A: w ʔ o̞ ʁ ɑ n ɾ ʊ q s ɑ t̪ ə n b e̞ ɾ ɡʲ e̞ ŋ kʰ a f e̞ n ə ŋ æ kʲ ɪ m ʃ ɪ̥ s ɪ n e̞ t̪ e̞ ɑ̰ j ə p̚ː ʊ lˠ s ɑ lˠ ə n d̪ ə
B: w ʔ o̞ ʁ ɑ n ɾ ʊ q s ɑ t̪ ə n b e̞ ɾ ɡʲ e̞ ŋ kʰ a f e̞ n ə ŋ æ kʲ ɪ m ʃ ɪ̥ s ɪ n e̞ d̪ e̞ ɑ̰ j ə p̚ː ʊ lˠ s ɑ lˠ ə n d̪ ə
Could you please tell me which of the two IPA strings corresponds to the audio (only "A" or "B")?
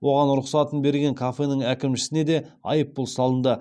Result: B